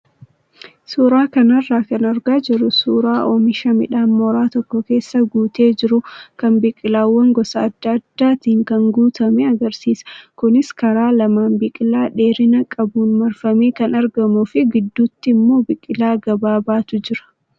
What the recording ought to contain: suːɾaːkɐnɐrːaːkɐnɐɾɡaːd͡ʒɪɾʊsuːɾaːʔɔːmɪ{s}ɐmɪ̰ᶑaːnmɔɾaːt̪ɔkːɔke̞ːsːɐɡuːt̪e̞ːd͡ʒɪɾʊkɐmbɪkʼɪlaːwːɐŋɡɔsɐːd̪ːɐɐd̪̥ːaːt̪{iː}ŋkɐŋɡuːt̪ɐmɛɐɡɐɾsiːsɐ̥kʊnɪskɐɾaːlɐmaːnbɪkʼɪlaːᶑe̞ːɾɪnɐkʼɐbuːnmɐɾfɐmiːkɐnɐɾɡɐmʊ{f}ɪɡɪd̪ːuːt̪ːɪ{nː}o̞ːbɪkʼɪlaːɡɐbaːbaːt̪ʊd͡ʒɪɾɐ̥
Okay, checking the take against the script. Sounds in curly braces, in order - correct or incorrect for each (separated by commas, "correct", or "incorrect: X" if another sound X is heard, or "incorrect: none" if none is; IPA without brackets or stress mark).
incorrect: ʃ, correct, correct, incorrect: mː